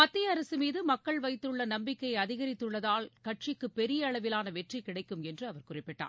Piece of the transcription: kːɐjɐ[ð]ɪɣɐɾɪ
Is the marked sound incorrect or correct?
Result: correct